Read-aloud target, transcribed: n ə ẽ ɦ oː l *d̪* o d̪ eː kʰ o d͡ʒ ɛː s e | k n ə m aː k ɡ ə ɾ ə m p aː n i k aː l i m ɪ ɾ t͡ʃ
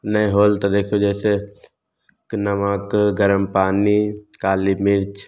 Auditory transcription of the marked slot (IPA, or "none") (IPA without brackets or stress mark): t̪